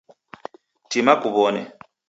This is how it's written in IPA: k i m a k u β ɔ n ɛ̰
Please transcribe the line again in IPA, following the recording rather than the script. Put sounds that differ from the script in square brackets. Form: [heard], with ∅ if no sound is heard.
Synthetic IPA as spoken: [t] i m a k u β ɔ n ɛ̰